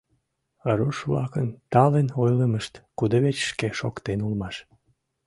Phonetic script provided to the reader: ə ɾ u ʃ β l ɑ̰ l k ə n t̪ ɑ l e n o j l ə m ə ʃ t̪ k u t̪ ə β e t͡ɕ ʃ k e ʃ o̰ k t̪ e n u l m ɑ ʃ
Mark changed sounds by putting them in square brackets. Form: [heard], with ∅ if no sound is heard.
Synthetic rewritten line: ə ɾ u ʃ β l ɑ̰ [∅] k ə n t̪ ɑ l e n o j l ə m ə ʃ t̪ k u [d̪] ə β e t͡ɕ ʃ k e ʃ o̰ k t̪ e n u l m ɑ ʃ

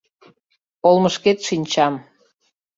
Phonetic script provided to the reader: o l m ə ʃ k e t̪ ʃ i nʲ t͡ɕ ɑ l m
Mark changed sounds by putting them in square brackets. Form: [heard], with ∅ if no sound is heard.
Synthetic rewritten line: o l m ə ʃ k e t̪ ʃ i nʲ t͡ɕ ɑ [∅] m

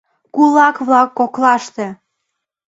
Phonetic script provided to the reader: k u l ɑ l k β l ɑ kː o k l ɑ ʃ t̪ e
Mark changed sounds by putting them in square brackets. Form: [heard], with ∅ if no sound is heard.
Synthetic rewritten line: k u l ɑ [∅] k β l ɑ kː o k l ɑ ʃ t̪ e

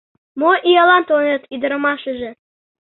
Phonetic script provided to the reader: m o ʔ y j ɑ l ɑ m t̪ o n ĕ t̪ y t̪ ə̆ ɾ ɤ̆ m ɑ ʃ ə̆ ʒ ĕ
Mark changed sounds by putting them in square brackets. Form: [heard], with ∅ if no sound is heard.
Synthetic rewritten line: m o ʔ [i] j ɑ l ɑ [n] t̪ o n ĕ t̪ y [d̪] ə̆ ɾ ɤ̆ m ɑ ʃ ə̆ ʒ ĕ

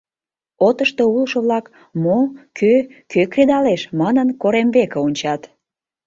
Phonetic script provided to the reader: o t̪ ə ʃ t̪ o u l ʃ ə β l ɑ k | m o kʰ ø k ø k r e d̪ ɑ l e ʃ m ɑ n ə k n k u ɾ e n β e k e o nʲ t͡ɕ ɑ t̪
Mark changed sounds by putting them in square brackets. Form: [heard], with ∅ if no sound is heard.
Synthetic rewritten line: o t̪ ə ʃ t̪ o u l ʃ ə β l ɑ k | m o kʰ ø k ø k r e d̪ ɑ l e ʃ m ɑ n ə [∅] n k [o] ɾ e [m] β e k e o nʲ t͡ɕ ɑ t̪

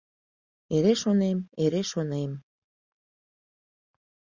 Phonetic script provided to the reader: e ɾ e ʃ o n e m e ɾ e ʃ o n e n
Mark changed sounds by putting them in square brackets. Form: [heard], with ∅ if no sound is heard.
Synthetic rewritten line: e ɾ e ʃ o n e m e ɾ e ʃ o n e [m]

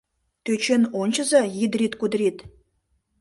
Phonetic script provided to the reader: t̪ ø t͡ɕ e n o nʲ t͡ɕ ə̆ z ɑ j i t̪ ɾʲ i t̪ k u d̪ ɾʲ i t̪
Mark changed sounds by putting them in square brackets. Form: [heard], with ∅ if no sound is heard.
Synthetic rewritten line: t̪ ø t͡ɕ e n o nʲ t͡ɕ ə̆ z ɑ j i [d̪] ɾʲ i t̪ k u d̪ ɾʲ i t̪

